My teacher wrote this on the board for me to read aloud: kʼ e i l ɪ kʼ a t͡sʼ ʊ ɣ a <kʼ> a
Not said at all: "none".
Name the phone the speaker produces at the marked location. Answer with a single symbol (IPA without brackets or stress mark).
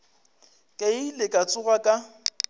kʼ